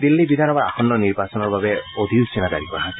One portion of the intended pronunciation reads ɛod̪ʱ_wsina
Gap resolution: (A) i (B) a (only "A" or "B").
A